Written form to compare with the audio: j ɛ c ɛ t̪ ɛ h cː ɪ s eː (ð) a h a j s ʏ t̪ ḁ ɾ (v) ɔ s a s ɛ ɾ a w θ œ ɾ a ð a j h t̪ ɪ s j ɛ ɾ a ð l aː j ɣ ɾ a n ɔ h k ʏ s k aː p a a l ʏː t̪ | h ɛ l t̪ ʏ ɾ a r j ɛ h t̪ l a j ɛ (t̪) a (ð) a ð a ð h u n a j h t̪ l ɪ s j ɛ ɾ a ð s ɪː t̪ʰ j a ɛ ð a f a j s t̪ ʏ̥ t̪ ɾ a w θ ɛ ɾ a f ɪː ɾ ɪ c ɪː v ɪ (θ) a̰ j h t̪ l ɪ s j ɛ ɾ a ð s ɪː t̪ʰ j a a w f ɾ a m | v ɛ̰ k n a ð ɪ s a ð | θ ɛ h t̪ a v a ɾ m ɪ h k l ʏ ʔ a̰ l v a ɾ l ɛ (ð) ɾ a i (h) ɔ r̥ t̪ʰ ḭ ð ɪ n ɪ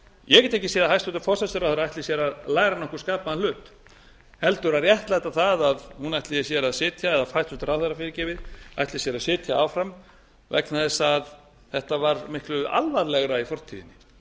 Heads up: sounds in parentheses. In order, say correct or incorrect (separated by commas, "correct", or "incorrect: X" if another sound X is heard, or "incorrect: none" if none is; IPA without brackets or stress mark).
correct, incorrect: f, correct, incorrect: θ, incorrect: ð, incorrect: ɣ, incorrect: f